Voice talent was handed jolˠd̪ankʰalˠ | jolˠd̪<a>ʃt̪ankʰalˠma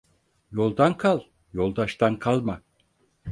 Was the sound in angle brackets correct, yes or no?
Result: yes